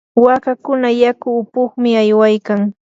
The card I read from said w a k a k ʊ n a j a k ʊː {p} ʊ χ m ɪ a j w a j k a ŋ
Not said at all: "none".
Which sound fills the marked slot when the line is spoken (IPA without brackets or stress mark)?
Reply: p